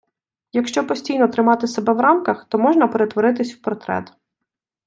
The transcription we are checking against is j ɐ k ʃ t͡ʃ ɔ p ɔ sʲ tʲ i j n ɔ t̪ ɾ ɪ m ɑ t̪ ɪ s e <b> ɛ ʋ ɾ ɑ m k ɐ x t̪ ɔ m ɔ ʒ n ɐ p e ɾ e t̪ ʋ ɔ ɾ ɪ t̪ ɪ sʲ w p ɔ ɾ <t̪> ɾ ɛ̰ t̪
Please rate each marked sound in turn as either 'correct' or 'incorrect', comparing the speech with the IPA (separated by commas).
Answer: correct, correct